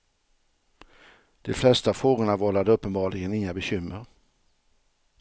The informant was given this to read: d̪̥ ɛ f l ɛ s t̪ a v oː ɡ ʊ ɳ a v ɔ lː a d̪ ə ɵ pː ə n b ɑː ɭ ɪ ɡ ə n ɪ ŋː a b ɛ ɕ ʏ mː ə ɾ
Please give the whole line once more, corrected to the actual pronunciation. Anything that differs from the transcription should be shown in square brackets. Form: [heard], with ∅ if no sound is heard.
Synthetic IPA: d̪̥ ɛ f l ɛ s t̪ a [f] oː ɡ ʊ ɳ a v ɔ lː a d̪ ə ɵ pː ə n b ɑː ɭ ɪ ɡ ə n ɪ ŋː a b ɛ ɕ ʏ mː ə ɾ